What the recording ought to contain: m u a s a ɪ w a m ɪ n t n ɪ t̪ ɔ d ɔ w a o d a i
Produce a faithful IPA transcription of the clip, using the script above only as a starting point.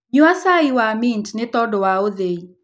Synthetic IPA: ɲ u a s a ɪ w a m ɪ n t n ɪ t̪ ɔ d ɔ w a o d e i